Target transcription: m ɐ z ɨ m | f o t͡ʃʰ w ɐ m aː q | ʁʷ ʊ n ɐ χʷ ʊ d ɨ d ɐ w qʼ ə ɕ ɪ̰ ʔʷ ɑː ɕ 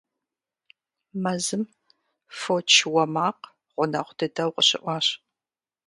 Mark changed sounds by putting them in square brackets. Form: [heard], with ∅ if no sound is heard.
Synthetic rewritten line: m ɐ z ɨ m | f o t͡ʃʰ w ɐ m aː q | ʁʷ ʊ n ɐ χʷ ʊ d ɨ d ɐ w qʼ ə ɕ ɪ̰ ʔʷ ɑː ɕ

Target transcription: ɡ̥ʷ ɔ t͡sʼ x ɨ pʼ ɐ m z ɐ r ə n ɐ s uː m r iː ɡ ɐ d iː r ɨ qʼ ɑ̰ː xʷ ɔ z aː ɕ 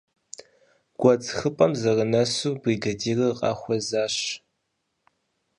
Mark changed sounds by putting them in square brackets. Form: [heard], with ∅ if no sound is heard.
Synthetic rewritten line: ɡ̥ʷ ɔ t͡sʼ x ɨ pʼ ɐ m z ɐ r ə n ɐ s uː [b] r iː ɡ ɐ d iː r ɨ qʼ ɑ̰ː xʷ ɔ z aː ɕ

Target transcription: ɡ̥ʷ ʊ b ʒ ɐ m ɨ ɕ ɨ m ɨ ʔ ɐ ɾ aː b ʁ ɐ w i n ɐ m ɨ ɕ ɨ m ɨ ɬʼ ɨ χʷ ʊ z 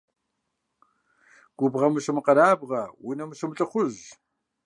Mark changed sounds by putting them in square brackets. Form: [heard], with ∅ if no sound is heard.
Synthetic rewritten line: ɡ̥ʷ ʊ b [ʁ] ɐ m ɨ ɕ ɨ m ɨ [q] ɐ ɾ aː b ʁ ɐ w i n ɐ m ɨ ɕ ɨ m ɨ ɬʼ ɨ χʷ ʊ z

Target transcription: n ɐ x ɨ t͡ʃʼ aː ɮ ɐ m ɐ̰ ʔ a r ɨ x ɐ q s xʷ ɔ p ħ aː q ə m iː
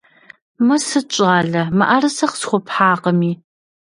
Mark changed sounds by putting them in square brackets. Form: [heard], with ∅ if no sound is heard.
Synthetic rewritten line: [m] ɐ [s] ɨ t͡ʃʼ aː ɮ ɐ m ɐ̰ ʔ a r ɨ [s] ɐ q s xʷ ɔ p ħ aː q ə m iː

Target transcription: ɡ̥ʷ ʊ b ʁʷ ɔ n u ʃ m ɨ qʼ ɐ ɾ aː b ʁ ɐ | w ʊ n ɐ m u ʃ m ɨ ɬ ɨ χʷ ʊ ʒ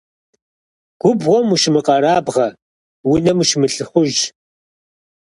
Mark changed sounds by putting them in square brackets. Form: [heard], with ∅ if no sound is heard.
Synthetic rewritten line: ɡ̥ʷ ʊ b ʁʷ ɔ [m] u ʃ m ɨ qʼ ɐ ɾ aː b ʁ ɐ | w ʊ n ɐ m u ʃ m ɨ ɬ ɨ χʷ ʊ ʒ

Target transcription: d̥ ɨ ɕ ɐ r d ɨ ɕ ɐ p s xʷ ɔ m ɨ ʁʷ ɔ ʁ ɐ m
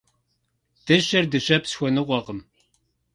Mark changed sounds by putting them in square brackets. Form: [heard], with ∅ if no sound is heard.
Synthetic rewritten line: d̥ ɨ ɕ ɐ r d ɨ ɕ ɐ p s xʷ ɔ [n] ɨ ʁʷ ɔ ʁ [ə] m

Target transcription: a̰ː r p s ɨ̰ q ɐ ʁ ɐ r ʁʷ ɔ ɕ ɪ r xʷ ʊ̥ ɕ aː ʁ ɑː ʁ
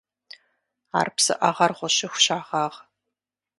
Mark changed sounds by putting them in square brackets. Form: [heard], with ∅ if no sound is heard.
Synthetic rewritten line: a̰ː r p s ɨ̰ [ʔ] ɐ ʁ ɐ r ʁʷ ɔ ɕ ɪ [∅] xʷ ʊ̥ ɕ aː ʁ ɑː ʁ

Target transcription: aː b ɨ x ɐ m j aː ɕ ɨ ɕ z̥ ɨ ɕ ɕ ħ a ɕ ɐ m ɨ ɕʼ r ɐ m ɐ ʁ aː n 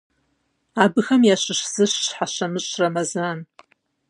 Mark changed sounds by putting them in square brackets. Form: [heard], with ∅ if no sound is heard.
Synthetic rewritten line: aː b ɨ x ɐ m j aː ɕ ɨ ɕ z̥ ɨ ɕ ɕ ħ a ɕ ɐ m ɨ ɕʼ r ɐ m ɐ [z] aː n

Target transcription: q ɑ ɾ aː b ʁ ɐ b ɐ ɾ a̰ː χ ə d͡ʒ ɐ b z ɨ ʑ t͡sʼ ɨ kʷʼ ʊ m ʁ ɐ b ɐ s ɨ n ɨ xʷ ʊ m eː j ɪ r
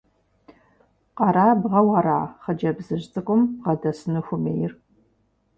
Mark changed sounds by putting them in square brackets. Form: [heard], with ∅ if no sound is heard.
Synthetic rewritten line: q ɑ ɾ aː b ʁ ɐ [w] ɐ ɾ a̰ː χ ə d͡ʒ ɐ b z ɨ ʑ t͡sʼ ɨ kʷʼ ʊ m ʁ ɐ [d] ɐ s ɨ n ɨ xʷ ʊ m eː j ɪ r

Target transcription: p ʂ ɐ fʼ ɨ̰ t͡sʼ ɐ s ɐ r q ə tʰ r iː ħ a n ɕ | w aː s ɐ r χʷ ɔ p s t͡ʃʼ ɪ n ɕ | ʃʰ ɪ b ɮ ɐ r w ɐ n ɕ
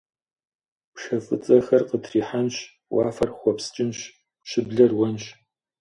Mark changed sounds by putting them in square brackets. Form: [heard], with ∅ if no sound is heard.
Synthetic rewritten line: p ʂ ɐ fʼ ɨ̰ t͡sʼ ɐ [x] ɐ r q ə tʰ r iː ħ a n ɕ | w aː [f] ɐ r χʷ ɔ p s t͡ʃʼ ɪ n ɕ | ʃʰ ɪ b ɮ ɐ r w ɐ n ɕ

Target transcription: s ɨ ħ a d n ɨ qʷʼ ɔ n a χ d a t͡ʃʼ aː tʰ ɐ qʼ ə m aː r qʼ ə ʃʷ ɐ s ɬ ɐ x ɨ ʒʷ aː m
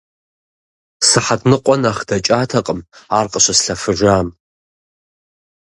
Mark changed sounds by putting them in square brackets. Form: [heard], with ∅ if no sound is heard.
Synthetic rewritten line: s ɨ ħ a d n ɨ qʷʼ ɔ n a χ d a t͡ʃʼ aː tʰ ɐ qʼ ə m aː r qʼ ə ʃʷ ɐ s ɬ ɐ [f] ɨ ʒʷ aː m

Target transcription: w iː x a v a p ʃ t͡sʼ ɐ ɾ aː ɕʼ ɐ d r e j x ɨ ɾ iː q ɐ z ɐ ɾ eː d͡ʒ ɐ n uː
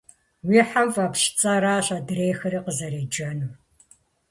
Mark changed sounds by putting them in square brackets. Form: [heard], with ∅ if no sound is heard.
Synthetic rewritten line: w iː [ħ] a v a p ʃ t͡sʼ ɐ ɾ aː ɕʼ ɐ d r e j x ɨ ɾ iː q [ə] z ɐ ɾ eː d͡ʒ ɐ n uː

